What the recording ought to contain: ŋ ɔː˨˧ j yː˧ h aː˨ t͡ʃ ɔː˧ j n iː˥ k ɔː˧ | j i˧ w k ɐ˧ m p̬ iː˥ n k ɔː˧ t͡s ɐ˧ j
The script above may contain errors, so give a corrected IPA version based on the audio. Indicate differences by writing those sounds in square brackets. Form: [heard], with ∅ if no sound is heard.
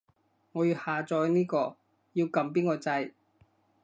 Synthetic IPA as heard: ŋ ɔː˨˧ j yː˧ h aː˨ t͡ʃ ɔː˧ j n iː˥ k ɔː˧ | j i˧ w k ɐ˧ m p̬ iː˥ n k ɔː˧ t͡s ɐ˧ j

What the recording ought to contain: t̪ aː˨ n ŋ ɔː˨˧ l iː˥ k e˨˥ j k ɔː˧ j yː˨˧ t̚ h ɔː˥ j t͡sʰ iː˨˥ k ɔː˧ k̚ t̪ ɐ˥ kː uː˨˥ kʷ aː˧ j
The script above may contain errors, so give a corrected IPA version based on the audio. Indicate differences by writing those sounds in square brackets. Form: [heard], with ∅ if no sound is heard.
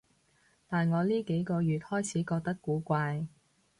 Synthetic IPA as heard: t̪ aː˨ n ŋ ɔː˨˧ l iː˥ k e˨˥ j k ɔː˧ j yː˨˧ t̚ h ɔː˥ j t͡sʰ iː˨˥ k ɔː˧ k̚ t̪ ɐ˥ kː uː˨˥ kʷ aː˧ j

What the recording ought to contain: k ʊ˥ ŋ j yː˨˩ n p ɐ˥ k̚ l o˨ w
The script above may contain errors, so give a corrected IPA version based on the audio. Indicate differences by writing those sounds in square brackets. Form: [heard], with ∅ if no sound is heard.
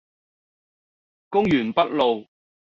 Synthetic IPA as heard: k ʊ˥ ŋ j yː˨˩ n p ɐ˥ [t̚] l o˨ w

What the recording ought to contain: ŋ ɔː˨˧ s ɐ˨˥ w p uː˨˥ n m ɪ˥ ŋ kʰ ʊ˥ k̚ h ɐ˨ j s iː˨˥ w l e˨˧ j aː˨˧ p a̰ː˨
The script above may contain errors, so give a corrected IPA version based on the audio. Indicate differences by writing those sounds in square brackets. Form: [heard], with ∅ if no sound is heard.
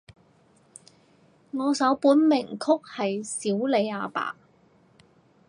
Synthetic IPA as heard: ŋ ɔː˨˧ s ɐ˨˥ w p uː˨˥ n m [ɪ˨˩] ŋ kʰ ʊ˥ k̚ h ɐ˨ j s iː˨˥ w l e˨˧ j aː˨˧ p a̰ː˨

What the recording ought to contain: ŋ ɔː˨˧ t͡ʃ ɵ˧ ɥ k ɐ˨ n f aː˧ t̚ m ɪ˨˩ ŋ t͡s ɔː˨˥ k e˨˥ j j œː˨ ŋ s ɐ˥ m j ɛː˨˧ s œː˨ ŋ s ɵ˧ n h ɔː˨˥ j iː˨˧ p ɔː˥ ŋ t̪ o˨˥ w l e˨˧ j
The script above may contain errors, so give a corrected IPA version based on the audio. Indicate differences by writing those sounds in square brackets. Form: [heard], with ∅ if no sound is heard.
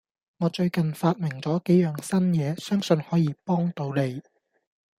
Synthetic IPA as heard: ŋ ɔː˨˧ t͡ʃ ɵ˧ ɥ k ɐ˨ n f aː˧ t̚ m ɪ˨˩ ŋ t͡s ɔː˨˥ k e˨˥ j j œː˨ ŋ s ɐ˥ [n] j ɛː˨˧ s [œː˥] ŋ s ɵ˧ n h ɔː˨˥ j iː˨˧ p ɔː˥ ŋ t̪ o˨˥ w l e˨˧ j

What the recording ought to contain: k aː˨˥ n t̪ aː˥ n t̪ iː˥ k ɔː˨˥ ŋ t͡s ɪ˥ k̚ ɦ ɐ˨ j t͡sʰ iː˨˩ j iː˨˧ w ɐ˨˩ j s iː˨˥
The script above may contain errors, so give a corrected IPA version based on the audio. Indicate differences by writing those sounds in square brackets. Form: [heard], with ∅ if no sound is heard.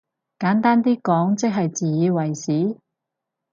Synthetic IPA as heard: k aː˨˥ n t̪ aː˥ n t̪ iː˥ k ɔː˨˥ ŋ t͡s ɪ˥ k̚ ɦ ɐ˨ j [t͡s] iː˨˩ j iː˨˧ w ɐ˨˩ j s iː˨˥

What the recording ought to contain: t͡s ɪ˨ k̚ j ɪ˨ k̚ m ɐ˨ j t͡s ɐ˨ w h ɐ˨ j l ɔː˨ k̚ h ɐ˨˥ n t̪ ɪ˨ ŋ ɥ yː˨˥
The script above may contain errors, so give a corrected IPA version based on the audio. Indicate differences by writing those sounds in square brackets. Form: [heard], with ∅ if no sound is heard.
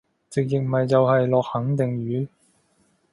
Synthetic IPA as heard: t͡s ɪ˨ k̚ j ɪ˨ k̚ m ɐ˨ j t͡s ɐ˨ w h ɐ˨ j l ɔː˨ k̚ h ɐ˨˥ [ŋ] t̪ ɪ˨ ŋ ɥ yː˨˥

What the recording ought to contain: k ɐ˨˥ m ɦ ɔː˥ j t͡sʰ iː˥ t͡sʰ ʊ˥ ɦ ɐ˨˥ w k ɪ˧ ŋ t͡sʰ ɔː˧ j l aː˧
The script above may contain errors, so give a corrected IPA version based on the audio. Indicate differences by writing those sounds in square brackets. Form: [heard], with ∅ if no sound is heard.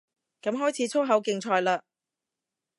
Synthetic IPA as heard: k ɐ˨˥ m ɦ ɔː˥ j t͡sʰ [iː˨˥] t͡sʰ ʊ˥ ɦ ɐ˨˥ w k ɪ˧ ŋ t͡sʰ ɔː˧ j l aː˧

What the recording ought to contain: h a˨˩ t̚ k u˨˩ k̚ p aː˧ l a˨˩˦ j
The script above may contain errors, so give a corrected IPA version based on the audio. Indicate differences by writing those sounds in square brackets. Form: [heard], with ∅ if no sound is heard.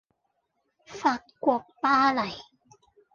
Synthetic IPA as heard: [f] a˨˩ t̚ k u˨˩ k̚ p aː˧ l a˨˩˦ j

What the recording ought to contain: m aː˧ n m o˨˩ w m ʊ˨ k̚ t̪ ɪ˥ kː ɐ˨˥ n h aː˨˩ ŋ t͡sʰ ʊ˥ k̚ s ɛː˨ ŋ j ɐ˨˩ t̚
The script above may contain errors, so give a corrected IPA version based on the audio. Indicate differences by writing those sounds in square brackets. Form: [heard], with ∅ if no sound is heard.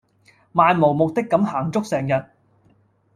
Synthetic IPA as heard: m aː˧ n m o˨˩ w m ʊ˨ k̚ t̪ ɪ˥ kː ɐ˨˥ [m] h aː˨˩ ŋ [t͡s] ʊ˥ k̚ s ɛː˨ ŋ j ɐ˨˩ t̚

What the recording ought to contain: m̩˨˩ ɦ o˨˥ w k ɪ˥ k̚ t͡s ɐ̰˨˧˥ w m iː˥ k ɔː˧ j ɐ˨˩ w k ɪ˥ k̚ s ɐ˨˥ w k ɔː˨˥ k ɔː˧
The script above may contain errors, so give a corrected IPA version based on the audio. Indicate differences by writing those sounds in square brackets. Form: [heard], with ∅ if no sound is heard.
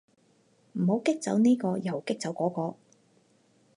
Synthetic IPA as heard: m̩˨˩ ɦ o˨˥ w k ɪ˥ k̚ t͡s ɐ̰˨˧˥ w [n] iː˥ k ɔː˧ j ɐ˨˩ w k ɪ˥ k̚ [t͡s] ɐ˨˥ w k ɔː˨˥ k ɔː˧

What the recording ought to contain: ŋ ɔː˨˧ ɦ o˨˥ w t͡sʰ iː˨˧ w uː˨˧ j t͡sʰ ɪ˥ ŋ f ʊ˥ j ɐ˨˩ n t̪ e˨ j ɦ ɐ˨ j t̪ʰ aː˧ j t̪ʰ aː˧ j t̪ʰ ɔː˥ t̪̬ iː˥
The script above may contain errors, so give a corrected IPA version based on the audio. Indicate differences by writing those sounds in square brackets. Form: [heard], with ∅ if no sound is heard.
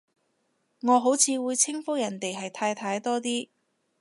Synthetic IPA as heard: ŋ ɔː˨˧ ɦ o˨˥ w t͡sʰ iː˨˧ w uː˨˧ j t͡sʰ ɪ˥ ŋ f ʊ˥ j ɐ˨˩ n t̪ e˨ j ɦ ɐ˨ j t̪ʰ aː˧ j t̪ʰ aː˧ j [t̪] ɔː˥ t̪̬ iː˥

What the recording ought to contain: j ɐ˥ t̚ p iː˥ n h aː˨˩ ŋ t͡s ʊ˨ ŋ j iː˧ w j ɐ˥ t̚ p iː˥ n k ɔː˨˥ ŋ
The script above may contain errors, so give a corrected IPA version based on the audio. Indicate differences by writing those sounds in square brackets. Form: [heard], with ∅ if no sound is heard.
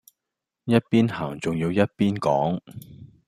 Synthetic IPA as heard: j ɐ˥ t̚ p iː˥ n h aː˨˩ ŋ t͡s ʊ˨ ŋ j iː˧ w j ɐ˥ t̚ p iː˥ n k ɔː˨˥ ŋ

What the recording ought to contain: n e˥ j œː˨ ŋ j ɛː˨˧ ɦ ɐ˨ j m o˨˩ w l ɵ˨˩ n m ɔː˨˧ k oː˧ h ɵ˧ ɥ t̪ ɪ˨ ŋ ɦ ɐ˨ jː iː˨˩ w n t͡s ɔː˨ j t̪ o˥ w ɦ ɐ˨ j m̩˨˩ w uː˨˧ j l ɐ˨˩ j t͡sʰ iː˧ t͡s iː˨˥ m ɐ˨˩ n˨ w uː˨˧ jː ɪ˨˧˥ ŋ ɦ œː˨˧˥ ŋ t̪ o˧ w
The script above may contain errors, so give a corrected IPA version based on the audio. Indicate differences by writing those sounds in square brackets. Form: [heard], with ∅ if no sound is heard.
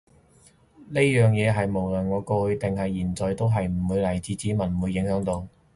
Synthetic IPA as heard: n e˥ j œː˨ ŋ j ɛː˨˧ ɦ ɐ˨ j m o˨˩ w l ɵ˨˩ n [ŋ] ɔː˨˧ k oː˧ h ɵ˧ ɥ t̪ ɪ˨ ŋ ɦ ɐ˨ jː iː˨˩ [∅] n t͡s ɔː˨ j t̪ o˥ w ɦ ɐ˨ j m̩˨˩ w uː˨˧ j l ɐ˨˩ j [t͡s] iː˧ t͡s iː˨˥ m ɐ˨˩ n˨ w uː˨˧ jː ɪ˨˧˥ ŋ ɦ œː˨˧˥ ŋ t̪ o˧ w

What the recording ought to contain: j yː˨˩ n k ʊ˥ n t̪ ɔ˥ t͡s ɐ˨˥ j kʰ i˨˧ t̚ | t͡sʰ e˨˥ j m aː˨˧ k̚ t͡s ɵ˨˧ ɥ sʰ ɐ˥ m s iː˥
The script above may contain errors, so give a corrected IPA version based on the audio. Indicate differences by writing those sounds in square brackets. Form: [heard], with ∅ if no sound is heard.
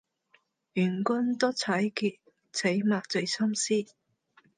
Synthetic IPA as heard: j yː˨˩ n k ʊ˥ n t̪ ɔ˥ [t͡sʰ] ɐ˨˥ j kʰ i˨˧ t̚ | t͡sʰ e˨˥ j m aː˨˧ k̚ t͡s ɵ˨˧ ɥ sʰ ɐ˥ m s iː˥

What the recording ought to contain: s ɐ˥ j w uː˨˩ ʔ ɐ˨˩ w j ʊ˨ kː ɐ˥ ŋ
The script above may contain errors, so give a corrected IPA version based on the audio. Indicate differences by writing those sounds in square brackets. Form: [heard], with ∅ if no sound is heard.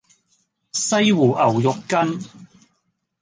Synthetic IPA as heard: s ɐ˥ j w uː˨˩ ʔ ɐ˨˩ w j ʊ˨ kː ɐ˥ [n]

